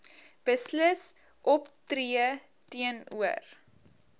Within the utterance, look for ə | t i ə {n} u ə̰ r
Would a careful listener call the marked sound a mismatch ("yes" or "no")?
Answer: no